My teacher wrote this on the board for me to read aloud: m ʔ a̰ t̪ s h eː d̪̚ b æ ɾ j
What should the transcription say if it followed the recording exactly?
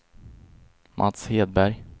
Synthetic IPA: m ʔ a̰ t̪ s h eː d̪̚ b æ ɾ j